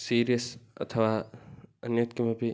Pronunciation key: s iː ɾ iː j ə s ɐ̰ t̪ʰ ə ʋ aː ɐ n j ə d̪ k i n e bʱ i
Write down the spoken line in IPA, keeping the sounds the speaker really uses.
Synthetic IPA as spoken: s iː ɾ i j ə s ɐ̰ t̪ʰ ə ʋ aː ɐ n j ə t̪ k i m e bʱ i